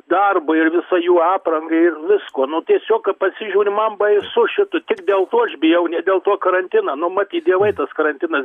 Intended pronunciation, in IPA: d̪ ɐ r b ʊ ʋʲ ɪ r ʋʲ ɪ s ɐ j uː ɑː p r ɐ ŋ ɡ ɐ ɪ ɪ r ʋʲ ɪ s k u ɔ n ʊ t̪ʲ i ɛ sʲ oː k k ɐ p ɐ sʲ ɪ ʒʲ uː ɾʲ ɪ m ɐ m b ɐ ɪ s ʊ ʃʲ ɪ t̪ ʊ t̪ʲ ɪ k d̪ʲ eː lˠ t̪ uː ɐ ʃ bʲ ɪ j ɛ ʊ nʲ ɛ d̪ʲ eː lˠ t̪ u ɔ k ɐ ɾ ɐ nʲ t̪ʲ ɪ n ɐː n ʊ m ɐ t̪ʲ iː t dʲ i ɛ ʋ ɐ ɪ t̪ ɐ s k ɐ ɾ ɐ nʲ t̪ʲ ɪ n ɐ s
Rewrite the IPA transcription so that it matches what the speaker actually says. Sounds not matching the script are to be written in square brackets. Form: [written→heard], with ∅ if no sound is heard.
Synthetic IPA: d̪ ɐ r b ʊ [ʋʲ→∅] ɪ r ʋʲ ɪ s ɐ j uː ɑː p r ɐ ŋ ɡ ɐ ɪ ɪ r ʋʲ ɪ s k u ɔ n ʊ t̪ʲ i ɛ sʲ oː k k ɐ p ɐ sʲ ɪ ʒʲ uː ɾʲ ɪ m ɐ m b ɐ ɪ s ʊ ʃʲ ɪ t̪ ʊ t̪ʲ ɪ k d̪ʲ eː lˠ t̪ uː ɐ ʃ bʲ ɪ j ɛ ʊ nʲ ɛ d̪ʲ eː lˠ t̪ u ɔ k ɐ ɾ ɐ nʲ t̪ʲ ɪ n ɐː n ʊ m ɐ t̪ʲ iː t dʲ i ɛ ʋ ɐ ɪ t̪ ɐ s k ɐ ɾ ɐ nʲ t̪ʲ ɪ n ɐ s